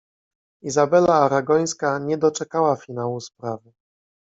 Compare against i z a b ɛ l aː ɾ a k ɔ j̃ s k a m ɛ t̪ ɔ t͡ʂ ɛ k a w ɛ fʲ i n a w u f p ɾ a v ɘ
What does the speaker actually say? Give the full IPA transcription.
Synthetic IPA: i z a b ɛ l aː ɾ a ɡ ɔ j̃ s k a ɲ ɛ d̪ ɔ t͡ʂ ɛ k a w a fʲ i n a w u s p ɾ a v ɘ